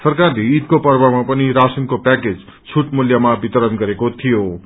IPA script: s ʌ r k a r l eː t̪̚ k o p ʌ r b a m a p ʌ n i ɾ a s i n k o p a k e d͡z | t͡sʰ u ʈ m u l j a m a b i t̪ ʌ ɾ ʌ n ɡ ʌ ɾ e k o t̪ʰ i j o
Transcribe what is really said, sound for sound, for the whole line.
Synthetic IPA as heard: s ʌ r k a r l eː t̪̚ k o p ʌ r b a m a p ʌ n i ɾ a s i n k o p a k e d͡z | t͡sʰ u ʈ m u l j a m a b i t̪ ʌ ɾ ʌ n ɡ ʌ ɾ e k o t̪ʰ i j o